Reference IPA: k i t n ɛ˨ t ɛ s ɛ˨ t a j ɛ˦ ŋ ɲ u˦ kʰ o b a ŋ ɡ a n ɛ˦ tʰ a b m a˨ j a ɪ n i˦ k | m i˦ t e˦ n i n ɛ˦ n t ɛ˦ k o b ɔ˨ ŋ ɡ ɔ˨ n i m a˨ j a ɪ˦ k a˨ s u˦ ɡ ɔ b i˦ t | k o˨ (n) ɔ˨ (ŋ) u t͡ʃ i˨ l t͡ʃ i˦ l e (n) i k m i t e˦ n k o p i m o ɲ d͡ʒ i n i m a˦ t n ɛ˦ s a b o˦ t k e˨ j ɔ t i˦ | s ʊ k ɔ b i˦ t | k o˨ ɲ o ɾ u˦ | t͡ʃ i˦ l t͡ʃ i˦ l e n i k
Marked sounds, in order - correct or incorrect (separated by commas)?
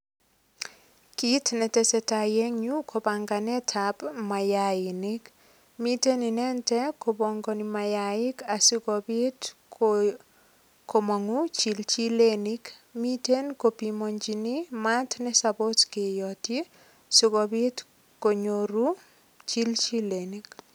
incorrect, correct, correct